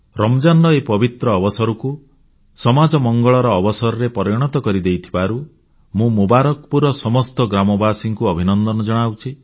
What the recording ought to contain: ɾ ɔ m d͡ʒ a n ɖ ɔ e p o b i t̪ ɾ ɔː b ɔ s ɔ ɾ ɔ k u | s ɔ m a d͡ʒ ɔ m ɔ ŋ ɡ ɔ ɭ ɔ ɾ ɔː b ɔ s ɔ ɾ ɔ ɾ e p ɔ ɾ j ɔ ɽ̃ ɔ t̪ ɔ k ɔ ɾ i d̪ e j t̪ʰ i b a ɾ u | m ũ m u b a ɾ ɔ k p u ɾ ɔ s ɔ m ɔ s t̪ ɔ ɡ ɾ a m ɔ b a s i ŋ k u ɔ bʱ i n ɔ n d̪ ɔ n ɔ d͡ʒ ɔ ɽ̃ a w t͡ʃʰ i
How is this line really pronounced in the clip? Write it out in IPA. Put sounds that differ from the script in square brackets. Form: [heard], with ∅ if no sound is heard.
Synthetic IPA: ɾ ɔ m d͡ʒ a n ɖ ɔ e p [ɔ] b i t̪ ɾ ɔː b ɔ s ɔ ɾ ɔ k u | s ɔ m a d͡ʒ ɔ m ɔ ŋ ɡ ɔ ɭ ɔ ɾ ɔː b ɔ s ɔ ɾ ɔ ɾ e p ɔ ɾ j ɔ ɽ̃ ɔ t̪ ɔ k ɔ ɾ i d̪ e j t̪ʰ i b a ɾ u | m ũ m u b a ɾ ɔ k p u ɾ ɔ s ɔ m ɔ s t̪ ɔ ɡ ɾ a m ɔ b a s i ŋ k u ɔ bʱ i n ɔ n d̪ ɔ n ɔ d͡ʒ ɔ ɽ̃ a w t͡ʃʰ i